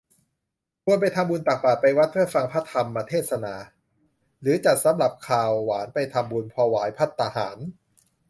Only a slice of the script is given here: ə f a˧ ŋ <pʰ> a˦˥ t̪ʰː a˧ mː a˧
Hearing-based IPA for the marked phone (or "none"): pʰ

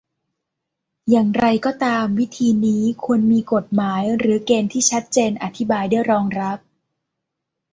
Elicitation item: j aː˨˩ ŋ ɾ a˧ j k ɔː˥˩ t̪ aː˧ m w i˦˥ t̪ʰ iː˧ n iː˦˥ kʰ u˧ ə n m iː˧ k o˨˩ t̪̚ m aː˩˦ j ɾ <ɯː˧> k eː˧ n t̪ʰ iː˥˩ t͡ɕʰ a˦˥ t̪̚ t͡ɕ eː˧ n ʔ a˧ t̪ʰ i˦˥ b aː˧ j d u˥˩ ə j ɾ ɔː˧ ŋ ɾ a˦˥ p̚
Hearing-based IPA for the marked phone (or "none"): ɯː˩˦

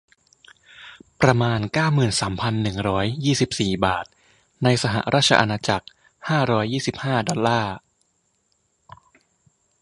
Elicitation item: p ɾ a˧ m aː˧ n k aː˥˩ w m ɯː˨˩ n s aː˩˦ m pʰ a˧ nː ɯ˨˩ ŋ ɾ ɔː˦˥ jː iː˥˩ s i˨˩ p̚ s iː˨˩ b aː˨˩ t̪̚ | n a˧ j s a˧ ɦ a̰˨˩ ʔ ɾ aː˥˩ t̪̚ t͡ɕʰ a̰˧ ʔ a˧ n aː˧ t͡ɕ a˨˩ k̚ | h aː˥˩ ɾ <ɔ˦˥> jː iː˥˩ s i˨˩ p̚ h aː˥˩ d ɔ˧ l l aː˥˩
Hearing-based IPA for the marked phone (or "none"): ɔː˦˥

